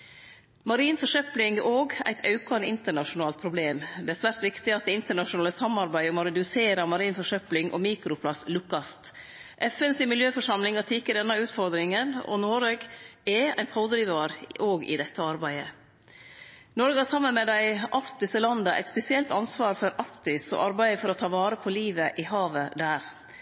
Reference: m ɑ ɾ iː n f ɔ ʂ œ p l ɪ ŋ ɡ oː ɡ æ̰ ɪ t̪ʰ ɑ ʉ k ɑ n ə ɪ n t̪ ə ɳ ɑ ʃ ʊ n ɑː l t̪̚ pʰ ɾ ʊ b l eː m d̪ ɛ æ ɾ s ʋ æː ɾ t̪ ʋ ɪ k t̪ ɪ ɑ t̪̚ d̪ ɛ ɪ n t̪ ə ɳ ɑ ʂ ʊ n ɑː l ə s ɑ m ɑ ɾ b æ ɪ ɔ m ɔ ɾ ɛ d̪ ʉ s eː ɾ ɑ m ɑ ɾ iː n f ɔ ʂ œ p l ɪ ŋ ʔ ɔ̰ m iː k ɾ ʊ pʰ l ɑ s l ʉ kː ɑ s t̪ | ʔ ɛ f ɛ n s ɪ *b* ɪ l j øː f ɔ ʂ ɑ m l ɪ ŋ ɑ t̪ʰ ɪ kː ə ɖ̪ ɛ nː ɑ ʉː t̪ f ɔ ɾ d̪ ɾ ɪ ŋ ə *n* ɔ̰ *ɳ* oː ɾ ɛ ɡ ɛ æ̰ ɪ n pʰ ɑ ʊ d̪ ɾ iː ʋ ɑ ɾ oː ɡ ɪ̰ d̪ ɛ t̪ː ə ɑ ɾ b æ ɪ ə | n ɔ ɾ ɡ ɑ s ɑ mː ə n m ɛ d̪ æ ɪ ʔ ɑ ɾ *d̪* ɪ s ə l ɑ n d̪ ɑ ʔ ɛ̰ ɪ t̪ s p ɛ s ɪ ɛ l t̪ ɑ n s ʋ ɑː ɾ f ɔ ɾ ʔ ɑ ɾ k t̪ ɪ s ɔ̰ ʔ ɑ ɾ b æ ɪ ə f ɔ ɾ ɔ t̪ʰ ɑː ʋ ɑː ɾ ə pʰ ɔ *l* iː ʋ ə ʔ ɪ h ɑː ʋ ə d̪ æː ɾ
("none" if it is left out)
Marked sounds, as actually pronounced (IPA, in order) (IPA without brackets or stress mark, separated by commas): m, n, n, t̪, l